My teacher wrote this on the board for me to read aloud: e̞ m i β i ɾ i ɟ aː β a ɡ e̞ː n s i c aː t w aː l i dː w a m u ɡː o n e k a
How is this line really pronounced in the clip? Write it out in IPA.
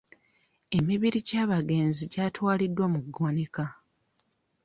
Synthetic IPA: e̞ m i β i ɾ i ɟ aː β a ɡ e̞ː n z i ɟ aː t w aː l i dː w a m u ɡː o n e k a